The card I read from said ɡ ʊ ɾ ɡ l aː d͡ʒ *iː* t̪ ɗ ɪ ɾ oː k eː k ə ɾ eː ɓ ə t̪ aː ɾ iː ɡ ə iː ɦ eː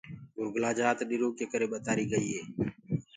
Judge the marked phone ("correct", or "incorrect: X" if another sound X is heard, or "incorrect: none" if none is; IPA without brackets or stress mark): incorrect: aː